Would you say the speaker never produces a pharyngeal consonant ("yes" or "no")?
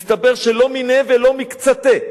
yes